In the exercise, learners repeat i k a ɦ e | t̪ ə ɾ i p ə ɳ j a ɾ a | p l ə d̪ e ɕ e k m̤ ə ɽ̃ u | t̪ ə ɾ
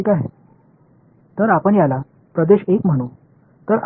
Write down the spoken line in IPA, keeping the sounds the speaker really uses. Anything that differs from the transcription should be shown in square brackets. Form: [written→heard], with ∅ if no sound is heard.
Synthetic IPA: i k a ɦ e | t̪ ə ɾ [i→a] p ə ɳ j a [ɾ→l] a | p [l→ɾ] ə d̪ e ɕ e k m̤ ə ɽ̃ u | t̪ ə ɾ